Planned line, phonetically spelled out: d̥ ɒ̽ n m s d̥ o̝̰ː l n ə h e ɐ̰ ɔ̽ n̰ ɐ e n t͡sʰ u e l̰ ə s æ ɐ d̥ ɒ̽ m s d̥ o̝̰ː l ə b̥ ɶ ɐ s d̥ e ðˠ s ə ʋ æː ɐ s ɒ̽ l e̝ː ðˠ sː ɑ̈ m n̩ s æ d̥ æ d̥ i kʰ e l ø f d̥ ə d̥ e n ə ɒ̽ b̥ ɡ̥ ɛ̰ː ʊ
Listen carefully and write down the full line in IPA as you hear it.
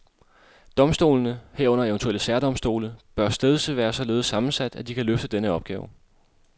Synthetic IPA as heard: d̥ ɒ̽ m s d̥ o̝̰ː l n ə h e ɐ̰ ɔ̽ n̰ ɐ e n t͡sʰ u e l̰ ə s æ ɐ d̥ ɒ̽ m s d̥ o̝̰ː l ə b̥ ɶ ɐ s d̥ e ðˠ s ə ʋ æː ɐ s ɒ̽ l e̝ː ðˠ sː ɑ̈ m n̩ s æ d̥ æ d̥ i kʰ æ l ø f d̥ ə d̥ e n ə ɒ̽ b̥ ɡ̥ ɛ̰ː ʊ